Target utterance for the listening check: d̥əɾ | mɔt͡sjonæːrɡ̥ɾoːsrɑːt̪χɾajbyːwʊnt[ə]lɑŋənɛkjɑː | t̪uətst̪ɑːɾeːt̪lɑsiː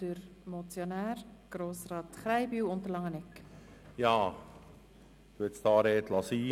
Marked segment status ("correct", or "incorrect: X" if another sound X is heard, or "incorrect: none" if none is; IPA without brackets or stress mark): correct